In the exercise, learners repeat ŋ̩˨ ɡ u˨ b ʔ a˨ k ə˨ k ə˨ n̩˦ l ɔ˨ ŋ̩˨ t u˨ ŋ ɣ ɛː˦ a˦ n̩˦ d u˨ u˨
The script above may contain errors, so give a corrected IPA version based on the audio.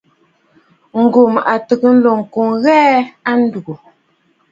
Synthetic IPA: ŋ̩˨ ɡ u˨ m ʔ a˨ t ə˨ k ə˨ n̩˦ l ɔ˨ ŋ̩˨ k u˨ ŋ ɣ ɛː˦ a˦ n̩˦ d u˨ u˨